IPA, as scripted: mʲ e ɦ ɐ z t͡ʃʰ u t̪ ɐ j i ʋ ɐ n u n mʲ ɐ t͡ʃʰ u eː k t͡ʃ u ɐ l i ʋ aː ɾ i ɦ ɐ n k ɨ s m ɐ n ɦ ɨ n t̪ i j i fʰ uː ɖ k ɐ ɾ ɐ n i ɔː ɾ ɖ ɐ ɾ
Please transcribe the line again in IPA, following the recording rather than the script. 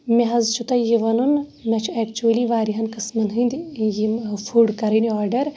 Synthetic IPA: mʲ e ɦ ɐ z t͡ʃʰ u t̪ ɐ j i ʋ ɐ n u n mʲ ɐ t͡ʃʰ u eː k t͡ʃ u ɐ l i ʋ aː ɾ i ɦ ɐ n k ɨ s m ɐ n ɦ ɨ n d̪ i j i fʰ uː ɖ k ɐ ɾ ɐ n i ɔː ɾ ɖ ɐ ɾ